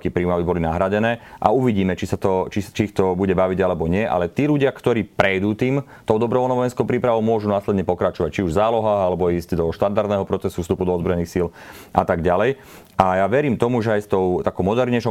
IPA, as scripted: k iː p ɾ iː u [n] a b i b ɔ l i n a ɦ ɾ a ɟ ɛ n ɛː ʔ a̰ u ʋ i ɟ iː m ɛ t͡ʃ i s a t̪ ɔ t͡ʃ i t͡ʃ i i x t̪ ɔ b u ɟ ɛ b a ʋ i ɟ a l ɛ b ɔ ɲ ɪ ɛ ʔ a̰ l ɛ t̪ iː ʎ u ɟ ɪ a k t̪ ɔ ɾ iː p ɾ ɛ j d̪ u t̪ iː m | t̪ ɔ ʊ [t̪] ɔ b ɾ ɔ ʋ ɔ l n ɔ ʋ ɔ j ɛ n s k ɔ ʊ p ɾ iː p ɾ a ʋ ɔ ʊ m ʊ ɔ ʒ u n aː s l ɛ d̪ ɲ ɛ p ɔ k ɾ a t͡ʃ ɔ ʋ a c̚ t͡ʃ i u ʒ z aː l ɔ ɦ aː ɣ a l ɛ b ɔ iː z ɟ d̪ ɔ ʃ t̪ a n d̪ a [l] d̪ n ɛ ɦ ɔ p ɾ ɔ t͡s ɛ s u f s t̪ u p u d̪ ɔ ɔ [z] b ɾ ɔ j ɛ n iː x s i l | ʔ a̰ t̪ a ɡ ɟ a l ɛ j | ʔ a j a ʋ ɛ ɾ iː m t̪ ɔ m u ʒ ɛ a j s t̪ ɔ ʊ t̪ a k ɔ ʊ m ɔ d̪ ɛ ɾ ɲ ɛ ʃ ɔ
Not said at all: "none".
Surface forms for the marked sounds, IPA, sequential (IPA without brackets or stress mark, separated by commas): m, d̪, ɾ, z